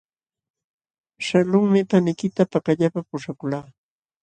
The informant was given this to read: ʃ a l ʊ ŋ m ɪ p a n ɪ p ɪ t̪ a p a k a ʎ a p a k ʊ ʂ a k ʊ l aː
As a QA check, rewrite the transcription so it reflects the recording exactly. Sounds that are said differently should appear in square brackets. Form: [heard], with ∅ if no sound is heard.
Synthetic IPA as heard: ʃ a l ʊ ŋ m ɪ p a n ɪ [k] ɪ t̪ a p a k a ʎ a p a [p] ʊ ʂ a k ʊ l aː